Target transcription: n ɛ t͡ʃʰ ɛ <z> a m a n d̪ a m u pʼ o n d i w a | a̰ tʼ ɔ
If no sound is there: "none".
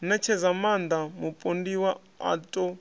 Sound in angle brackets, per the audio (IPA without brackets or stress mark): z